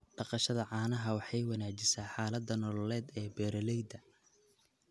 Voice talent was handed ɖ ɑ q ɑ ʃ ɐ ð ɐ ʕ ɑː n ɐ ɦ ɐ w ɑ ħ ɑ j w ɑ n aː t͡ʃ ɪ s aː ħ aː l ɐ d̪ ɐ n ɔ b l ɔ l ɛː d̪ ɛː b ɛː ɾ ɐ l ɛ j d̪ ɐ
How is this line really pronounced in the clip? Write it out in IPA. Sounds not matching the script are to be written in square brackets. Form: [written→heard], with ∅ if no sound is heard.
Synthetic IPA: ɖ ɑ q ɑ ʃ ɐ ð ɐ ʕ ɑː n ɐ ɦ ɐ w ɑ ħ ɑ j w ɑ n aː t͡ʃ ɪ s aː ħ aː l ɐ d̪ ɐ n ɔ [b→∅] l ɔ l ɛː d̪ ɛː b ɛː ɾ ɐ l ɛ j d̪ ɐ